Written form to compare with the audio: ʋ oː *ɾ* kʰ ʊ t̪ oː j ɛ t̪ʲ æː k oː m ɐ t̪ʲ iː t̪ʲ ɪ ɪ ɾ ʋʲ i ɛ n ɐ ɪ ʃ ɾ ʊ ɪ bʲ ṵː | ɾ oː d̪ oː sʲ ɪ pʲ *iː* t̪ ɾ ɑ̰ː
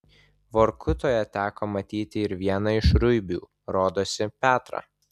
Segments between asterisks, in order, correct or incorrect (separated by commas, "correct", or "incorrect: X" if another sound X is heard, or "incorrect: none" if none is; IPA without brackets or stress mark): correct, incorrect: æː